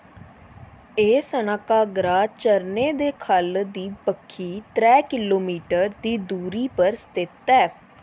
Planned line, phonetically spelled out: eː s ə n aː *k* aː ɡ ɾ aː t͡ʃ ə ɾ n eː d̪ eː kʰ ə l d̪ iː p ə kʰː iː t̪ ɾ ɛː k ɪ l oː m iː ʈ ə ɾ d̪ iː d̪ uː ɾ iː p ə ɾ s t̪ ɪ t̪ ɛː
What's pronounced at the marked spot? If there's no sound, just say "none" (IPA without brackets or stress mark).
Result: k